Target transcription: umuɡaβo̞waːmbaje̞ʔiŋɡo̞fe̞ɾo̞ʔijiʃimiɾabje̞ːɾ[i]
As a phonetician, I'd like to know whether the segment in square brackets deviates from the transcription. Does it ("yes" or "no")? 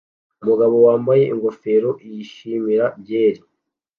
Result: no